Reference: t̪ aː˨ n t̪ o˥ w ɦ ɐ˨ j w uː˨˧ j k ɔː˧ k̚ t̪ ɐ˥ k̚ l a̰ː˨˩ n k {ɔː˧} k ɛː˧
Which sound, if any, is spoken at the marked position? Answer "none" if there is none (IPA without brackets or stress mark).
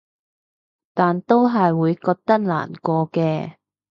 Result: ɔː˧